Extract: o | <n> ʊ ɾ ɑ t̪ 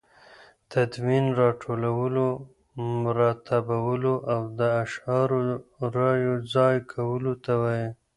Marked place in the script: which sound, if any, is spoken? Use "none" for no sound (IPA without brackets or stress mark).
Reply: m